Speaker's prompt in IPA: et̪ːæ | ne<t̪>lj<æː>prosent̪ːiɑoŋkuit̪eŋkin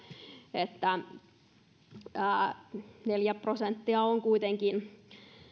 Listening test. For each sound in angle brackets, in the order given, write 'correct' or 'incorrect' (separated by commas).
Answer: incorrect, incorrect